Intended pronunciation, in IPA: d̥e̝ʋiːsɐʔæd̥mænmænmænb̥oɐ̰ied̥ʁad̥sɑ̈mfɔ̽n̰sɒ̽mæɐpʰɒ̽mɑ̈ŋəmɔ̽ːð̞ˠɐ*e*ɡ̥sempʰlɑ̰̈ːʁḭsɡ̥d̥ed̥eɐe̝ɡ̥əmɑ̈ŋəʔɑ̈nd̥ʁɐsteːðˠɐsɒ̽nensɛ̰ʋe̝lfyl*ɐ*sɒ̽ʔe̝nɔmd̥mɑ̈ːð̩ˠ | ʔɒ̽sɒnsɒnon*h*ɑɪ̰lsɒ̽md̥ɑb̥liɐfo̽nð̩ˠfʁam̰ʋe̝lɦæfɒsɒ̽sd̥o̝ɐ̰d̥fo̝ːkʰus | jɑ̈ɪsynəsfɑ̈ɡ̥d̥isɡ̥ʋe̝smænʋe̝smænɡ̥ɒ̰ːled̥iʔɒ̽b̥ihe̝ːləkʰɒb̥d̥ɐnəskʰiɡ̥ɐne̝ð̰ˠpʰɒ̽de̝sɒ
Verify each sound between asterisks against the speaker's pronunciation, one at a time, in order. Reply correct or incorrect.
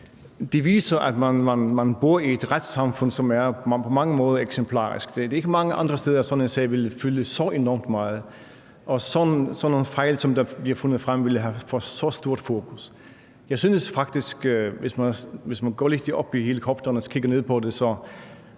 correct, incorrect: ə, incorrect: f

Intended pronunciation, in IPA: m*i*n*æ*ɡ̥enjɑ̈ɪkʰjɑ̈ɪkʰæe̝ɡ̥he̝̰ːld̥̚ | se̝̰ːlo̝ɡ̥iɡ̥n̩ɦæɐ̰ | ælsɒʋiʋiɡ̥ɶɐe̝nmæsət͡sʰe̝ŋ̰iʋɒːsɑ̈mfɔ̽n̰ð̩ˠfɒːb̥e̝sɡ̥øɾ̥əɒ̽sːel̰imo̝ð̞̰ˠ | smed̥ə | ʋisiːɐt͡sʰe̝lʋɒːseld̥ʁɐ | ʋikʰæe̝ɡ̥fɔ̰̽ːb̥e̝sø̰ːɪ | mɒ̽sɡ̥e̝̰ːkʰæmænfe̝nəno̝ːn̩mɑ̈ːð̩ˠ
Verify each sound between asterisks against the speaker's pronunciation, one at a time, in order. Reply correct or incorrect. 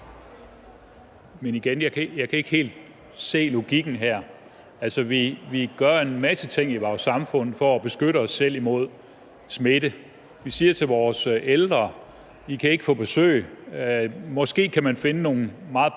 incorrect: e, incorrect: i

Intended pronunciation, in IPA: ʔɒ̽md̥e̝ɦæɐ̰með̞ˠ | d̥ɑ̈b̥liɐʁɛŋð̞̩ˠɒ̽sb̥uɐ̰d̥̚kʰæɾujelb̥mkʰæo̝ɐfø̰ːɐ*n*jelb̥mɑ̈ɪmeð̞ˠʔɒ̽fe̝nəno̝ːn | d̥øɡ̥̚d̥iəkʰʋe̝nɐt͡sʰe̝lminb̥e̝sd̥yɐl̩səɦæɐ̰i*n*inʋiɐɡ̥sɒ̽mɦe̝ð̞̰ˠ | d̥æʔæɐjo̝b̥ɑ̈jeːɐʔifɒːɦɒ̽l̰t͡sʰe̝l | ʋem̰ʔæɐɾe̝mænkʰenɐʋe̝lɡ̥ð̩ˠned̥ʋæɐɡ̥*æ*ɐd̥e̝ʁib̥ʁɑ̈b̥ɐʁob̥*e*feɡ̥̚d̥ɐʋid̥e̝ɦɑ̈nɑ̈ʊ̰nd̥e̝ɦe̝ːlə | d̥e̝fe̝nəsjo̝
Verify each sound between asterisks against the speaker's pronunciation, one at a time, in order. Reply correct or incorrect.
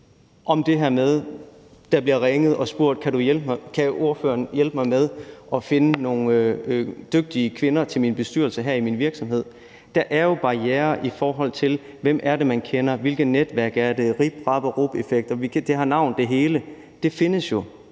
correct, incorrect: m, correct, correct

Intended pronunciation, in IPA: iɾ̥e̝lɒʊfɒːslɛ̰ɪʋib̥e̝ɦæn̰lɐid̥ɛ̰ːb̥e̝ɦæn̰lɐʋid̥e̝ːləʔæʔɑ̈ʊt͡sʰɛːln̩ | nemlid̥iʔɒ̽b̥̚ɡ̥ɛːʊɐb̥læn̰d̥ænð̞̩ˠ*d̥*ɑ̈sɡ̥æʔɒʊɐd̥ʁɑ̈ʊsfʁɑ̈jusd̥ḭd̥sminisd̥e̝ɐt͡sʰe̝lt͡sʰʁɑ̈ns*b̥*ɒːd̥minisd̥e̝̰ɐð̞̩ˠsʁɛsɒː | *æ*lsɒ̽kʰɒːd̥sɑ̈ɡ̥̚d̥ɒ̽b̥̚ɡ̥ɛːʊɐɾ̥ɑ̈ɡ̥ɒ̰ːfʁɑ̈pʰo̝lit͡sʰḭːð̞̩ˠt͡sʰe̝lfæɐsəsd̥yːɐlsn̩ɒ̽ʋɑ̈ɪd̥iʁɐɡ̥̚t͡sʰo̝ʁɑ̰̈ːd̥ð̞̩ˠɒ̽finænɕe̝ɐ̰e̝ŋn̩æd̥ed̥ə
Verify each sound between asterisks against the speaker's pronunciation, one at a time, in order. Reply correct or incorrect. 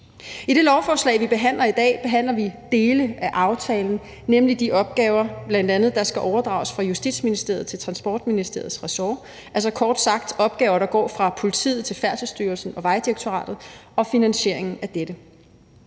correct, correct, correct

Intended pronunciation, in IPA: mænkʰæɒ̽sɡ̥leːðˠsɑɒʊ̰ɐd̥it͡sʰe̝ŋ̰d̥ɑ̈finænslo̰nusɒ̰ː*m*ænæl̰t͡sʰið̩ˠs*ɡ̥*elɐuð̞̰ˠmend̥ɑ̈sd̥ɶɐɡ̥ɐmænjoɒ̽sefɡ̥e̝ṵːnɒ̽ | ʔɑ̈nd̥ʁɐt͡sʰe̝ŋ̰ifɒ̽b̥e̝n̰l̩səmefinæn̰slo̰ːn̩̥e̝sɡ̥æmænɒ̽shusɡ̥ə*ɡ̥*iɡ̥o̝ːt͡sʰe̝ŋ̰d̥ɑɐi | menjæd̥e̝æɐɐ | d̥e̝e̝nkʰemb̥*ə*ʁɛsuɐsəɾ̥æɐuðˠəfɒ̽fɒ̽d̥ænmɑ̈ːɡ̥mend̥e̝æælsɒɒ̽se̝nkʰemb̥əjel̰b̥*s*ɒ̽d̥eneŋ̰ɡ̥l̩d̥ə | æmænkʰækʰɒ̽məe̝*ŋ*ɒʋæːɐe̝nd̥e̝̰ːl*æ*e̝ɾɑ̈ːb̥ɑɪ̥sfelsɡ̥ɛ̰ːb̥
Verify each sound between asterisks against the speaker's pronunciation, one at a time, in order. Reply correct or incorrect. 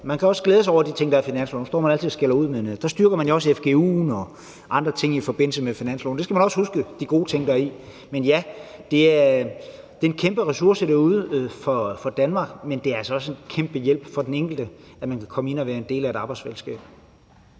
correct, correct, incorrect: d̥, correct, incorrect: f, incorrect: n, correct

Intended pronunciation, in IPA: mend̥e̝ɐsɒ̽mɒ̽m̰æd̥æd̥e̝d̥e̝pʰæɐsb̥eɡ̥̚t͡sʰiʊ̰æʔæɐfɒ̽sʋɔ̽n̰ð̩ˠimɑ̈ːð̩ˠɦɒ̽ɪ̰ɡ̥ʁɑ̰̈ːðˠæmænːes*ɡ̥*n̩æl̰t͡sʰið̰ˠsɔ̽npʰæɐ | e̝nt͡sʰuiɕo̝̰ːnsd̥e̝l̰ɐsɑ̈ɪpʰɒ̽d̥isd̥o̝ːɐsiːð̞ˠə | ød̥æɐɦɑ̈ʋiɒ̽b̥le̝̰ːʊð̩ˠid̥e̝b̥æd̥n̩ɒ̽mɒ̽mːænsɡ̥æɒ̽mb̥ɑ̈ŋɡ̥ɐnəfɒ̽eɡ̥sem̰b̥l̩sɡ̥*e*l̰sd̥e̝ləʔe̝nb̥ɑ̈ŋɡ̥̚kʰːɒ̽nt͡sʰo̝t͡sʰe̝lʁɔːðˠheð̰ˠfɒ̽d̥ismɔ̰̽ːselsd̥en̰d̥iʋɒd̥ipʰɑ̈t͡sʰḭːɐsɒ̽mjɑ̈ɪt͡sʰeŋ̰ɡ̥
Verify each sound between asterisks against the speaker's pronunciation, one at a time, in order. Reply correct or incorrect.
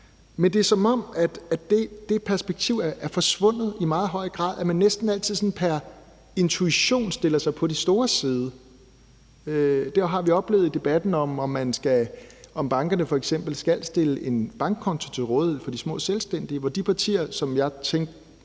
incorrect: d̥, incorrect: æ

